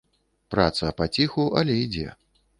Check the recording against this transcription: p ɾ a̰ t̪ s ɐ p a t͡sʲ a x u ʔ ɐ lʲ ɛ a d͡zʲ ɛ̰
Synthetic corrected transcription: p ɾ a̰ t̪ s ɐ p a t͡sʲ i x u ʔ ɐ lʲ ɛ i d͡zʲ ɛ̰